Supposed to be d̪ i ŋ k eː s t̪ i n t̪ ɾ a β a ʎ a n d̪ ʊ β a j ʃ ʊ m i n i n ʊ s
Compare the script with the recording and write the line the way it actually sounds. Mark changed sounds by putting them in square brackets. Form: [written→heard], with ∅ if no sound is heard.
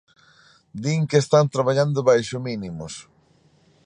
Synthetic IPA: d̪ i ŋ k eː s t̪ [i→a] n t̪ ɾ a β a ʎ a n d̪ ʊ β a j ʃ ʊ m i n i [n→m] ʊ s